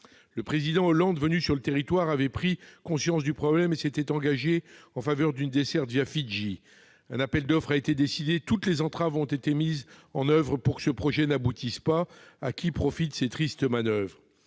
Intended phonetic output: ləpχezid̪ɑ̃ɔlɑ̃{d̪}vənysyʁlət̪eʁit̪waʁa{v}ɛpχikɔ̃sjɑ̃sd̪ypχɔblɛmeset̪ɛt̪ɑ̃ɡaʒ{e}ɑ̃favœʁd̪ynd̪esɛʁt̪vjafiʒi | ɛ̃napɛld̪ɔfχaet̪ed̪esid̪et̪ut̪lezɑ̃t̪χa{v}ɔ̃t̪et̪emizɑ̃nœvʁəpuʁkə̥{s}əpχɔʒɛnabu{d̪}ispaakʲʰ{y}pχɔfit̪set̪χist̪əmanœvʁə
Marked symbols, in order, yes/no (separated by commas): yes, yes, yes, yes, yes, no, no